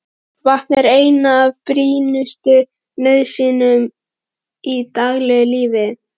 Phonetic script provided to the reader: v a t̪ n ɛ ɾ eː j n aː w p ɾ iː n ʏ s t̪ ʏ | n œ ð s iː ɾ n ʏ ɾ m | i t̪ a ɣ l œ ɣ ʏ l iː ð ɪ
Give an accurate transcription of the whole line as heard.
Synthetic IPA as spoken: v a t̪ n ɛ ɾ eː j n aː v p ɾ iː n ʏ s t̪ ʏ | n œ ð s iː n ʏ m | i t̪ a ɣ l ɛ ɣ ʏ l iː v ɪ